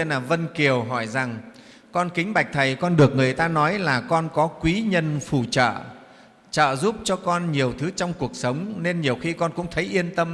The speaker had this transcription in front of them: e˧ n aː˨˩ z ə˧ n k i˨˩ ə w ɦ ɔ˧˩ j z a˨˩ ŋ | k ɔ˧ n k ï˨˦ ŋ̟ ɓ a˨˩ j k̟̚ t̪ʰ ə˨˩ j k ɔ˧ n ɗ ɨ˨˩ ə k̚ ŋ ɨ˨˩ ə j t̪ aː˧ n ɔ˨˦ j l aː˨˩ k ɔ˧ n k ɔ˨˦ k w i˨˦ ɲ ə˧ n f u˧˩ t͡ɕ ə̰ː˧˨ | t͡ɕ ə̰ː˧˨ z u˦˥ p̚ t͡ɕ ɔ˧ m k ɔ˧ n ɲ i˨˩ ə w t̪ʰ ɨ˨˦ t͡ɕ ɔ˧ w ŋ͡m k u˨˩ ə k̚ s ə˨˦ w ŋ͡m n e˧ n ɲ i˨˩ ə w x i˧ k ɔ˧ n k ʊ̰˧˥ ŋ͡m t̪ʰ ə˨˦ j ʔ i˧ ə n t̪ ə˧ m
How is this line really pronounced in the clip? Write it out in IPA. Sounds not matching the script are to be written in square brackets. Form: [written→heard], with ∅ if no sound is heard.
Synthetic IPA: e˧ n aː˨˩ [z→v] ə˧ n k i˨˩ ə w ɦ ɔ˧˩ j z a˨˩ ŋ | k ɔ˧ n k ï˨˦ ŋ̟ ɓ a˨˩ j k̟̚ t̪ʰ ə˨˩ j k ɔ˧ n ɗ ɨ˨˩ ə k̚ ŋ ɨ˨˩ ə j t̪ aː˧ n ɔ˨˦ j l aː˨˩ k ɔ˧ n k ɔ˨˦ k w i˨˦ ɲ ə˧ n f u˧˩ t͡ɕ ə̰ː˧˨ | t͡ɕ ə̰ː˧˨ z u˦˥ p̚ t͡ɕ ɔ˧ [m→∅] k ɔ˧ n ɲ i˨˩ ə w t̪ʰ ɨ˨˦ t͡ɕ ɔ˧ w ŋ͡m k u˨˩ ə k̚ s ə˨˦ w ŋ͡m n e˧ n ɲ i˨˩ ə w x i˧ k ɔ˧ n k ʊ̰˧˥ ŋ͡m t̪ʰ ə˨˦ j ʔ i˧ ə n t̪ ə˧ m